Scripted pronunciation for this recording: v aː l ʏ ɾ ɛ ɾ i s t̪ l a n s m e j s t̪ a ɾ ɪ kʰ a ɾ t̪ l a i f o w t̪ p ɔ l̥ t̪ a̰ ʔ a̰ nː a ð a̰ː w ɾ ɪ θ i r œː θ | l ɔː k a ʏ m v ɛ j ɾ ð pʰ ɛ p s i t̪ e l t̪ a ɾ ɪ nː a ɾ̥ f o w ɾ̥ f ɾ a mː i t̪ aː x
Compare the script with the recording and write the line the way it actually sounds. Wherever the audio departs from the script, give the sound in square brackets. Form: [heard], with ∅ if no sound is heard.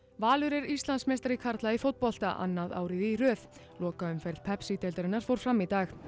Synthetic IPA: v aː l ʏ ɾ ɛ ɾ i s t̪ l a n s m e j s t̪ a ɾ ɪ kʰ a ɾ t̪ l a i f o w t̪ p ɔ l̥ t̪ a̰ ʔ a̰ nː a ð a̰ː w ɾ ɪ [ð] i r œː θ | l ɔː k a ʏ m [f] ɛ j ɾ ð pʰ ɛ p s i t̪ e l t̪ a ɾ ɪ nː a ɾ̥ f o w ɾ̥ f ɾ a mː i t̪ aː x

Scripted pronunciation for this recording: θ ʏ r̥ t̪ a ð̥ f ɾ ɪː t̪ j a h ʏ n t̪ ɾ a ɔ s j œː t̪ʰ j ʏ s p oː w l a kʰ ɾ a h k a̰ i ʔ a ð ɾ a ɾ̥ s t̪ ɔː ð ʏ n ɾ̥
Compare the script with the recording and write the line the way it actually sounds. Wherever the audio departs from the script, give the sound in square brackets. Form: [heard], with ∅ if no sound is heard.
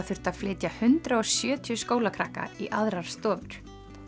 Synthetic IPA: θ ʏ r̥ t̪ a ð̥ f [l] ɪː t̪ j a h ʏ n t̪ ɾ a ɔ s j œː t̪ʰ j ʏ s [k] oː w l a kʰ ɾ a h k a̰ i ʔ a ð ɾ a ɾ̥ s t̪ ɔː [v] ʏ [∅] ɾ̥

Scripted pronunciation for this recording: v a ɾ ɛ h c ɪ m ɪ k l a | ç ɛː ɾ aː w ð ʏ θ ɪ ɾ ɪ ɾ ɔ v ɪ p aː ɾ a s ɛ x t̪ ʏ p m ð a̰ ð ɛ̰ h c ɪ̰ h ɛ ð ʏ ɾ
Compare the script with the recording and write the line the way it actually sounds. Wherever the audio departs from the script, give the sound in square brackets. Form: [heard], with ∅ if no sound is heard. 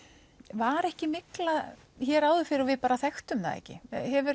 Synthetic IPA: v a ɾ ɛ h c ɪ m ɪ k l a | ç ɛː ɾ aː w ð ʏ [f] ɪ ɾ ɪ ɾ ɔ v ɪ p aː ɾ a [θ] ɛ x t̪ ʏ [∅] m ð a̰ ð ɛ̰ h c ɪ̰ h ɛ [v] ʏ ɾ

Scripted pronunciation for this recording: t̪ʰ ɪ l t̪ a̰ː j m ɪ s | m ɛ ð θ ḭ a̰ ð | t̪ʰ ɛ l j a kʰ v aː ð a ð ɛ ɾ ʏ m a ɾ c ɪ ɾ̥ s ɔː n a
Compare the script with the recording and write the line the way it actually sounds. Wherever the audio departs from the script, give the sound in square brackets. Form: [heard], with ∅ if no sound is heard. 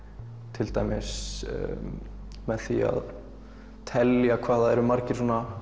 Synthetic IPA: t̪ʰ ɪ l t̪ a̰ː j m ɪ s | m ɛ ð θ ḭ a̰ ð | t̪ʰ ɛ l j a kʰ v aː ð a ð ɛ ɾ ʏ m a ɾ c ɪ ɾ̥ s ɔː n a

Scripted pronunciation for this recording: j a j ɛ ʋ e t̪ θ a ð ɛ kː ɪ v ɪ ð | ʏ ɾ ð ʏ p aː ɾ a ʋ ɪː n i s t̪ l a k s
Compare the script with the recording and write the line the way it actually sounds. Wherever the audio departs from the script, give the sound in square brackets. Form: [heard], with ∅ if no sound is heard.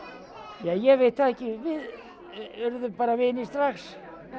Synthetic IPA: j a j ɛ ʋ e t̪ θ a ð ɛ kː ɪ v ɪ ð | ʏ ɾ ð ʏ p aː ɾ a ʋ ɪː n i s t̪ [ɾ] a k s

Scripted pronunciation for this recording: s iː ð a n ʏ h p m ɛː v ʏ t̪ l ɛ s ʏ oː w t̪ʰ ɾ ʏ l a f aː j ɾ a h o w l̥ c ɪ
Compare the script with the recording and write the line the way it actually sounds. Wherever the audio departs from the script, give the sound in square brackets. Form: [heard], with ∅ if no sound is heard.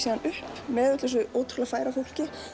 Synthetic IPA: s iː ð a n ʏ h p m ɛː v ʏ t̪ l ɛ s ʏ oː w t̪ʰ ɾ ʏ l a f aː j ɾ a [f] o w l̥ c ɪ

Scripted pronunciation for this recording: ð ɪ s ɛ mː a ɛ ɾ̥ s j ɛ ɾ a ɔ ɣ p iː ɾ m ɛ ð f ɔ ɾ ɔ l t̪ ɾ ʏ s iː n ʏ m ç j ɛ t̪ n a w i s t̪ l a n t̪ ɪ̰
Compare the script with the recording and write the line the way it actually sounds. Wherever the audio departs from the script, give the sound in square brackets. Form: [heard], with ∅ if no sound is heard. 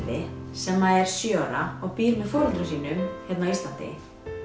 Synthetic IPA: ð ɪ s ɛ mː a ɛ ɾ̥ s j [œ] ɾ a ɔ ɣ p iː ɾ m ɛ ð f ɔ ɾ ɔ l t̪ ɾ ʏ s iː n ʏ m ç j ɛ t̪ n a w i s t̪ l a n t̪ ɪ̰

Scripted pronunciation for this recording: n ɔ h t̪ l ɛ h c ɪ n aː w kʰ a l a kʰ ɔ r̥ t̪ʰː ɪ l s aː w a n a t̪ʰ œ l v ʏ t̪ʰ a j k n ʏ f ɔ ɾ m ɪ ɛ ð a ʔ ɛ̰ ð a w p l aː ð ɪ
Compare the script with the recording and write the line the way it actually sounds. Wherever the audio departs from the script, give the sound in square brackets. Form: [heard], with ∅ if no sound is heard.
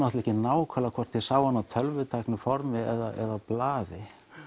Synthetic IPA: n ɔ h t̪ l ɛ h c ɪ n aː w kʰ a l a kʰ ɔ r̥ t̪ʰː ɪ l s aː w a n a t̪ʰ œ l v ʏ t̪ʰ a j k n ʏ f ɔ ɾ m ɪ ɛ ð a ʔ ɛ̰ ð a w p l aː ð ɪ

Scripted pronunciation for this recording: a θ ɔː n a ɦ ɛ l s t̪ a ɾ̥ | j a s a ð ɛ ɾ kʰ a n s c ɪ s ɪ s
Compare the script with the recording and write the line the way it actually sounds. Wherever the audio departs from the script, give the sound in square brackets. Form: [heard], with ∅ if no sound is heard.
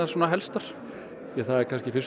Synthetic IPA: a [s] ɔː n a ɦ ɛ l s t̪ a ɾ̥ | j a [θ] a ð ɛ ɾ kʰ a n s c ɪ [f] ɪ s

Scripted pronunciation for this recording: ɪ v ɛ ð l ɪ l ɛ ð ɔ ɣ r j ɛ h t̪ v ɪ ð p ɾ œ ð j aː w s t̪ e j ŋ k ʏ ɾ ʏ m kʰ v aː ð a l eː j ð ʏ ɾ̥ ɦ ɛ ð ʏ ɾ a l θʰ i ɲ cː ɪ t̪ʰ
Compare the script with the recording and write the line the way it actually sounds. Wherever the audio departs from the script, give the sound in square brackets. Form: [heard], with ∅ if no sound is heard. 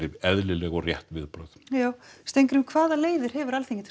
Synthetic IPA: ɪ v ɛ ð l ɪ l ɛ [ɣ] ɔ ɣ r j ɛ h t̪ v ɪ ð p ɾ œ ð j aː w s t̪ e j ŋ k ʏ ɾ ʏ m kʰ v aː ð a l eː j ð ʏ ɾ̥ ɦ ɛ [v] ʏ ɾ a l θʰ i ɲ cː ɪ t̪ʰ

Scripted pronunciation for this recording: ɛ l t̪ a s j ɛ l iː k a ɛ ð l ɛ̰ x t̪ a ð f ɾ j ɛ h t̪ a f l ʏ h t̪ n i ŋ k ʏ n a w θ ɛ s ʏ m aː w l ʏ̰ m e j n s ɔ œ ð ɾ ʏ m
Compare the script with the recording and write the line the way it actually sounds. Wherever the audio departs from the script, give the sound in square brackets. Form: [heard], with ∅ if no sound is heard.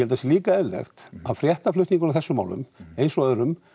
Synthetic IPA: ɛ l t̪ a s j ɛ l iː k a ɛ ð l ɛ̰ x t̪ a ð f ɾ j ɛ h t̪ a f l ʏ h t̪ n i ŋ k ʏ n a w θ ɛ s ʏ m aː w l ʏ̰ m e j n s ɔ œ ð ɾ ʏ m

